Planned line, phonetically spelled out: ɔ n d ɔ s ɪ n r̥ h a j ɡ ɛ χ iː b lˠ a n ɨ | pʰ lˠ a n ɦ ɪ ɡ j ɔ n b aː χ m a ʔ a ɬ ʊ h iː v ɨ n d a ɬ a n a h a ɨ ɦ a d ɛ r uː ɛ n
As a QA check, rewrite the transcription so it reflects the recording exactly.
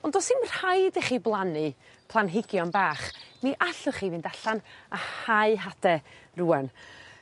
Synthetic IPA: ɔ n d ɔ s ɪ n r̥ h a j d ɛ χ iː b lˠ a n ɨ | pʰ lˠ a n ɦ ɪ ɡ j ɔ n b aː χ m i ʔ a ɬ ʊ χ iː v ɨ n d a ɬ a n a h a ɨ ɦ a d ɛ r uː ɛ n